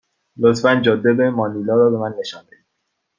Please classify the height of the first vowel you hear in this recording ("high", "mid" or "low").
mid